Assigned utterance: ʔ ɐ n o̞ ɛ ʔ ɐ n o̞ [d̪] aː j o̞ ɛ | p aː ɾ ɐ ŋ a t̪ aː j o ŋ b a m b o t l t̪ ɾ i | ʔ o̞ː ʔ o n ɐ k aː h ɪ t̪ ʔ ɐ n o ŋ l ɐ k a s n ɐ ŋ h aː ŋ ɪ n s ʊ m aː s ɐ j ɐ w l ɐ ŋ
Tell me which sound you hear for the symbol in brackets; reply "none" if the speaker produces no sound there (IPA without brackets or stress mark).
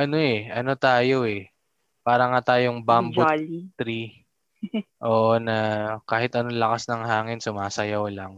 t̪